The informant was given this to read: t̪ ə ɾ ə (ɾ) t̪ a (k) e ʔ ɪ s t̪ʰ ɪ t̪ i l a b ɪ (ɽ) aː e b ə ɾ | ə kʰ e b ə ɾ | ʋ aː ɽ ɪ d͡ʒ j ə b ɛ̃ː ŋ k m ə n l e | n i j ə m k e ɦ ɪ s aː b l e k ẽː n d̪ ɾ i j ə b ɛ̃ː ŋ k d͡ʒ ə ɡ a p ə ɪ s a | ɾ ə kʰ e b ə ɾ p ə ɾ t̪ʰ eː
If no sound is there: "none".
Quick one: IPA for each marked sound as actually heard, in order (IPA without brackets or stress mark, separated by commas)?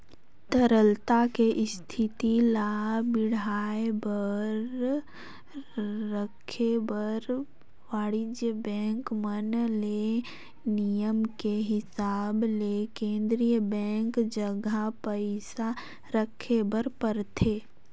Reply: l, k, ɽ